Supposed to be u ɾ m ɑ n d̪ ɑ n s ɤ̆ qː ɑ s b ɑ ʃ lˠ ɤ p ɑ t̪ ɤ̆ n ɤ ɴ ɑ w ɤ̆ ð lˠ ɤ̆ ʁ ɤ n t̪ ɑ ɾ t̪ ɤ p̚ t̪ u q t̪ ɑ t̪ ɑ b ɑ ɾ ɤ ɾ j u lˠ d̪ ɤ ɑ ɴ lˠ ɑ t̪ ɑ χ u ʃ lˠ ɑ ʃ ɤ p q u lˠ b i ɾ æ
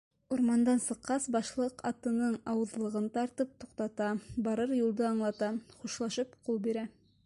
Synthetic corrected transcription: u ɾ m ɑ n d̪ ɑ n s ɤ̆ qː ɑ s b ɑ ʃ lˠ ɤ q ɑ t̪ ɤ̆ n ɤ ɴ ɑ w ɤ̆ ð lˠ ɤ̆ ʁ ɤ n t̪ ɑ ɾ t̪ ɤ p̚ t̪ u q t̪ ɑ t̪ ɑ b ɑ ɾ ɤ ɾ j u lˠ d̪ ɤ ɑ ɴ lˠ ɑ t̪ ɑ χ u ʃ lˠ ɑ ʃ ɤ p q u lˠ b i ɾ æ

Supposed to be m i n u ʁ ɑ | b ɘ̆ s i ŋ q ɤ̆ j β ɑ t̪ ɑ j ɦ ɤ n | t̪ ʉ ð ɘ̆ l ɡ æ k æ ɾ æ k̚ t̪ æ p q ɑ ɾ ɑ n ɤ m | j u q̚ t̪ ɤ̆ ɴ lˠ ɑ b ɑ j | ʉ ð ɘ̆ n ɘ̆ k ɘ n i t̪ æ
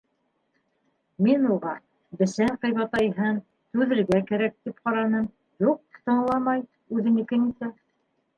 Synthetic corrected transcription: m i n u ʁ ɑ | b ɘ̆ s æ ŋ q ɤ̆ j β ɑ t̪ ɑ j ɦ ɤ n | t̪ ʉ ð ɘ̆ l ɡ æ k æ ɾ æ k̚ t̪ i p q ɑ ɾ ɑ n ɤ m | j u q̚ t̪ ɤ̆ ɴ lˠ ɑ m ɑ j | ʉ ð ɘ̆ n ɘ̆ k ɘ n i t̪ æ

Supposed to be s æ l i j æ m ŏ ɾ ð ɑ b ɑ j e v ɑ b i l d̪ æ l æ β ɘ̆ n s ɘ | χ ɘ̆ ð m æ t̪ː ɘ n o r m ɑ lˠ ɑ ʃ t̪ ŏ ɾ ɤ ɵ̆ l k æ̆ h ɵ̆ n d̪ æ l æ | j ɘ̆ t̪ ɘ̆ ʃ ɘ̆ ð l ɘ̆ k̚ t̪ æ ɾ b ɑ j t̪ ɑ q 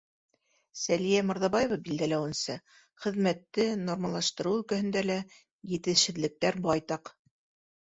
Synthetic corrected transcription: s æ l i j æ m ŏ ɾ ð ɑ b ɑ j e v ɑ b i l d̪ æ l æ w ɘ̆ n s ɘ | χ ɘ̆ ð m æ t̪ː ɘ n o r m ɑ lˠ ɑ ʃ t̪ ɤ̆ ɾ ɤ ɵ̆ l k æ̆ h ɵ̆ n d̪ æ l æ | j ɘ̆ t̪ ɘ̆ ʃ ɘ̆ ð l ɘ̆ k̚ t̪ æ ɾ b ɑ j t̪ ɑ q

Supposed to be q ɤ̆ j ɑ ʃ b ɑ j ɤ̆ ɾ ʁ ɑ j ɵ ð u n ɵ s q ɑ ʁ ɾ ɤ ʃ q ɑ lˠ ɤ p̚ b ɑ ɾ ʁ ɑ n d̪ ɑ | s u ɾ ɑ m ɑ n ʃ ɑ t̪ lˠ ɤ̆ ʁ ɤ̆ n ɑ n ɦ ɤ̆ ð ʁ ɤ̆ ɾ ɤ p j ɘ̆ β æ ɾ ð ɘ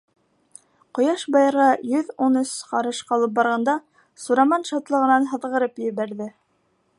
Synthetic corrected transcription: q ŏ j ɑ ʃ b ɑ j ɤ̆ ɾ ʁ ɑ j ɵ ð u n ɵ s q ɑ ɾ ɤ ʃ q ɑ lˠ ɤ p̚ b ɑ ɾ ʁ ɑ n d̪ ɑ | s u ɾ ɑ m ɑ n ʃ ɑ t̪ lˠ ɤ̆ ʁ ɤ̆ n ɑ n ɦ ɤ̆ ð ʁ ɤ̆ ɾ ɤ p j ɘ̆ β æ ɾ ð ɘ

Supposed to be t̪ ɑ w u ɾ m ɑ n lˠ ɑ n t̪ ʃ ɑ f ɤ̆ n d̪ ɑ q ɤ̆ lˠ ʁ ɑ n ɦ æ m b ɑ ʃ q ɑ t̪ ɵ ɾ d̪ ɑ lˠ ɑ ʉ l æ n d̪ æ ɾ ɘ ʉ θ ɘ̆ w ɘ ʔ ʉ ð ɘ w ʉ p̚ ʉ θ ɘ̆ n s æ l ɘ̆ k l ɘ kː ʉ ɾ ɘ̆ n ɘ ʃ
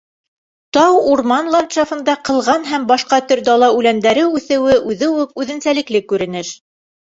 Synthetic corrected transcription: t̪ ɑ w u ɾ m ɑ n lˠ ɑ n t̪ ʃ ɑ f ɤ̆ n d̪ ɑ q ɤ̆ lˠ ʁ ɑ n ɦ æ m b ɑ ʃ q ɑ t̪ ɵ ɾ d̪ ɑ lˠ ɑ ʉ l æ n d̪ æ ɾ ɘ ʉ θ ɘ̆ w ɘ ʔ ʉ ð ɘ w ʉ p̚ ʉ ð ɘ̆ n s æ l ɘ̆ k l ɘ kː ʉ ɾ ɘ̆ n ɘ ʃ

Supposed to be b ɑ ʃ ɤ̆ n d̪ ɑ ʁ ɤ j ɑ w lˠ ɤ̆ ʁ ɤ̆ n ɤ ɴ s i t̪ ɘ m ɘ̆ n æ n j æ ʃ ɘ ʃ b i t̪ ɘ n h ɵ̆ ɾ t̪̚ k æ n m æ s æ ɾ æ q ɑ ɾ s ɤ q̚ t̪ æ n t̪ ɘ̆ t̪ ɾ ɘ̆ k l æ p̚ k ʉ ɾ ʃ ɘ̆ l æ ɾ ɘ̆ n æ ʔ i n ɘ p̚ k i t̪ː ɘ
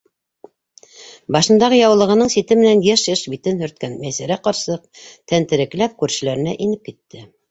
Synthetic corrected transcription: b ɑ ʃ ɤ̆ n d̪ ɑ ʁ ɤ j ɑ w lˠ ɤ̆ ʁ ɤ̆ n ɤ ɴ s i t̪ ɘ m ɘ̆ n æ n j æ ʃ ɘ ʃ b i t̪ ɘ n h ɵ̆ ɾ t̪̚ k æ n m æ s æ ɾ æ q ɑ ɾ s ɤ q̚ t̪ æ n t̪ ɘ̆ ɾ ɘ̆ k l æ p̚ k ʉ ɾ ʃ ɘ̆ l æ ɾ ɘ̆ n æ ʔ i n ɘ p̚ k i t̪ː ɘ

